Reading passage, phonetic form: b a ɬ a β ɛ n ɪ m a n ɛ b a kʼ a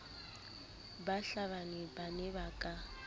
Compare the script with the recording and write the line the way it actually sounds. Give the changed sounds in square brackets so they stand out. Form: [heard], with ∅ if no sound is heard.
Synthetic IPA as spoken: b a ɬ a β [a] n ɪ [b] a n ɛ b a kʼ a

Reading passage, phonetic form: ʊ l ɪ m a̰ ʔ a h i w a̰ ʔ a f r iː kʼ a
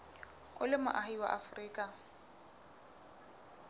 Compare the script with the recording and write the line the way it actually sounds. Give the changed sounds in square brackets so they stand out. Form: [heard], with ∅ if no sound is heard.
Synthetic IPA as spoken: ʊ l ɪ m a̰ ʔ a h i w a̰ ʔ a f r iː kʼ a

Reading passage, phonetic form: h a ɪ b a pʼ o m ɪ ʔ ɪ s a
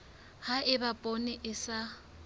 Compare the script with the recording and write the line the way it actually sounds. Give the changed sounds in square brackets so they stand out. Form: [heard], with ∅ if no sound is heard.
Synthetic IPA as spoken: h a ɪ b a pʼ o [n] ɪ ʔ ɪ s a

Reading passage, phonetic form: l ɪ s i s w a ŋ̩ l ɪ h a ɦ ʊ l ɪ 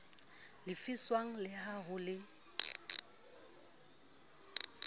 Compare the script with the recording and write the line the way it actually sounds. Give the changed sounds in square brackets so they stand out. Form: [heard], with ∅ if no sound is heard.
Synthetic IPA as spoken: l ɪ [f] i s w a ŋ̩ l ɪ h a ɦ ʊ l ɪ

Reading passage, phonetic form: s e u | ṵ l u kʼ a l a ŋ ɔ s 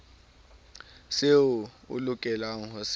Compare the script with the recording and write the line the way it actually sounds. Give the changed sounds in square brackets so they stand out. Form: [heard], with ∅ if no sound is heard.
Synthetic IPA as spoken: s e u | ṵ l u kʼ [ɛ] l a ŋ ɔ s

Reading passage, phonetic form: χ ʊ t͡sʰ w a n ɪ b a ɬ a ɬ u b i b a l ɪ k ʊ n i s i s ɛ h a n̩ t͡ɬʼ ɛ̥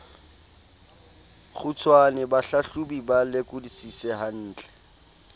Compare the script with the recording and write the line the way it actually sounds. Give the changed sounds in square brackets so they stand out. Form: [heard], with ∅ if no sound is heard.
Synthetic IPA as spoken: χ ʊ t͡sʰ w a n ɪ b a ɬ a ɬ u b i b a l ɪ k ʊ [d] i s i s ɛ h a [n̩ː] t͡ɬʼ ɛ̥

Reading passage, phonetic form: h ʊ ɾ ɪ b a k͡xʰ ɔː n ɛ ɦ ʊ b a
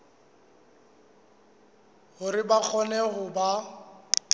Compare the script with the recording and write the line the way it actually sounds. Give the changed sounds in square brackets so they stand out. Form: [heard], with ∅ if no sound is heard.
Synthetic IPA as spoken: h ʊ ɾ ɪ b a k͡xʰ [ɔ] n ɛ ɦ ʊ b a

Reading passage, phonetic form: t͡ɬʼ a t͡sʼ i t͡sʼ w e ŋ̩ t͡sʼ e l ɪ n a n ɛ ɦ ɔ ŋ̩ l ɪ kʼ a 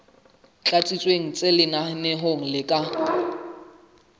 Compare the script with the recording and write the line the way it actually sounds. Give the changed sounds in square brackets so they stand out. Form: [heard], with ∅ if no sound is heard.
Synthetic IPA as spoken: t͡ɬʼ a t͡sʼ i t͡sʼ w e ŋ̩ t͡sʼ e l ɪ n a n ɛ ɦ [o] ŋ̩ l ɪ kʼ a

